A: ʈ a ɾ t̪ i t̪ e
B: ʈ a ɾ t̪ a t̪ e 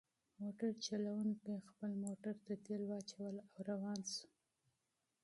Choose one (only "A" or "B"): B